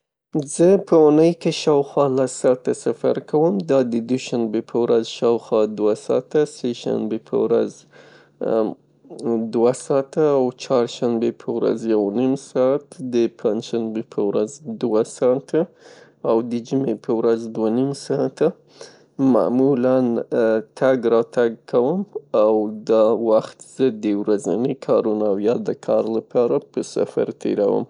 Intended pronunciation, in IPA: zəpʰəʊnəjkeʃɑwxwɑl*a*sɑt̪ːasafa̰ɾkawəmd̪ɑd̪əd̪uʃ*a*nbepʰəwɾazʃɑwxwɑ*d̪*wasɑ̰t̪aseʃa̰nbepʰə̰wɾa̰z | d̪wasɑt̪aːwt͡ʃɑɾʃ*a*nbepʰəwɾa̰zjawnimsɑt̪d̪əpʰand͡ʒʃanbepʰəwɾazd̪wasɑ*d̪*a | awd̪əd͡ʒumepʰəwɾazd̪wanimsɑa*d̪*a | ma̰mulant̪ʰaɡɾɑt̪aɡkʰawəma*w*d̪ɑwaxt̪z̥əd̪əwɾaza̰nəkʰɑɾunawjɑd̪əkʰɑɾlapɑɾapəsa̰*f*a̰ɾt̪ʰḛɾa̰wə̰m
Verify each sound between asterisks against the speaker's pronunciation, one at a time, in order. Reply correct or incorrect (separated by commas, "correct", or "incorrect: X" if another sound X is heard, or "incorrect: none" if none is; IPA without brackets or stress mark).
correct, correct, correct, correct, incorrect: t̪, incorrect: t̪, correct, correct